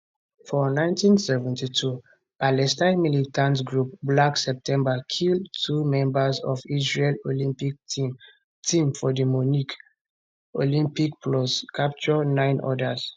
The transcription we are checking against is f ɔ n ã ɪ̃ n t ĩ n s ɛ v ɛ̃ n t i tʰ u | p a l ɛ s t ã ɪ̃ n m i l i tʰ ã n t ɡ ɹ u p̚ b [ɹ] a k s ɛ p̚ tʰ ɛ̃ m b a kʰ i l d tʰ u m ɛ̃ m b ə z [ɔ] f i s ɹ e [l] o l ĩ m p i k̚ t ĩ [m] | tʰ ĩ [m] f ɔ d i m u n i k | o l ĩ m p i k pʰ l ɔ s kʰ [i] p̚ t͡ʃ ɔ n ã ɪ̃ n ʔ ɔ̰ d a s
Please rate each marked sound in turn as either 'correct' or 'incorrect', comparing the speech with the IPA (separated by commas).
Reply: incorrect, correct, correct, correct, correct, incorrect